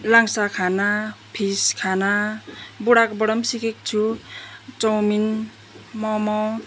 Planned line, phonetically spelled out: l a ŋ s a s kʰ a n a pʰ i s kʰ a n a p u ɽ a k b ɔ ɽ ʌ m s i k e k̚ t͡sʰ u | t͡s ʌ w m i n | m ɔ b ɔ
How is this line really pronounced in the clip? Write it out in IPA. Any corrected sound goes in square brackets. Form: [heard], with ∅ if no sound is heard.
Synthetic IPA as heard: l a ŋ s a [∅] kʰ a n a pʰ i s kʰ a n a [b] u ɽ a k b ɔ ɽ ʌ m s i k e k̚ t͡sʰ u | t͡s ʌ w m i n | m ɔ [m] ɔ